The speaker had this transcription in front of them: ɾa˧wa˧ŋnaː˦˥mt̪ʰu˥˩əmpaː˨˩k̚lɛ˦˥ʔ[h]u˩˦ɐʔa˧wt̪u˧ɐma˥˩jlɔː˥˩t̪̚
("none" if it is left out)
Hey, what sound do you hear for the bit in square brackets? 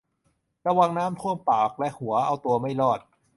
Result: h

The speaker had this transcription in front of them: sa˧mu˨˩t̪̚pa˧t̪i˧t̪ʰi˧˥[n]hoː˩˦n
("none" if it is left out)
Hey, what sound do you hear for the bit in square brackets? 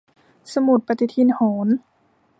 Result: n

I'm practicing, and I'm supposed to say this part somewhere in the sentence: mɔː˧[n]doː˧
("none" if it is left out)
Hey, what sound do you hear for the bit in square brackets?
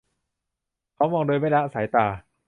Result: ŋ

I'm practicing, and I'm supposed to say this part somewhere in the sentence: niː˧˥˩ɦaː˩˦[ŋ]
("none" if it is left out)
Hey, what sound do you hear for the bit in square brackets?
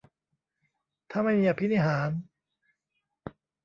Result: n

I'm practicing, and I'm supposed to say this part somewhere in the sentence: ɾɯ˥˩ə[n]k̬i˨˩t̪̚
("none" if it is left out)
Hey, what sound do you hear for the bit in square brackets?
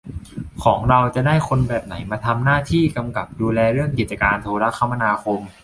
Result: ŋ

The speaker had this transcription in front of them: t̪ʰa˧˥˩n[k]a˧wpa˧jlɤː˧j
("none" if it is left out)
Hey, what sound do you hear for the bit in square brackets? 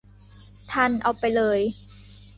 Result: ʔ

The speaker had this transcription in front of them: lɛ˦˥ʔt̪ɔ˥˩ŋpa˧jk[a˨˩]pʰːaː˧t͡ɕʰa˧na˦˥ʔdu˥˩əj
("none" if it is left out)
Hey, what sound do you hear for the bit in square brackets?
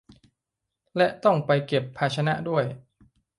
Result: e˨˩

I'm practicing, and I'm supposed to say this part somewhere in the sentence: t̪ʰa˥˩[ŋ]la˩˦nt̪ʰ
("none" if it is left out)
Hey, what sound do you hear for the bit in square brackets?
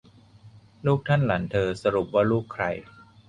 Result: n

